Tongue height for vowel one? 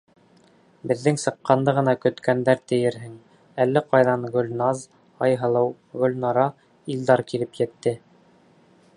mid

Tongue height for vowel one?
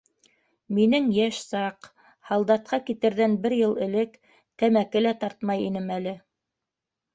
high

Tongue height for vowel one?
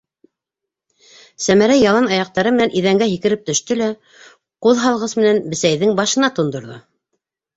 low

